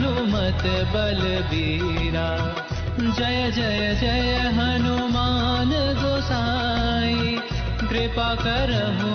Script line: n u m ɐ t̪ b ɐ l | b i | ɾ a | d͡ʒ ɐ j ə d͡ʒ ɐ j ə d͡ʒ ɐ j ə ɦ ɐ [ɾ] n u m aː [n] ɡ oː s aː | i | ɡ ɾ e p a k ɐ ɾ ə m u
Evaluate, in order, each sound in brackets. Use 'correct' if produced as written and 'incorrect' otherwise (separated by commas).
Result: incorrect, correct